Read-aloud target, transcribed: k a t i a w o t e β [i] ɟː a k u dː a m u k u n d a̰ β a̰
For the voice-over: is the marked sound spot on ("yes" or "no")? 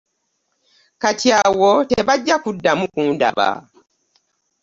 no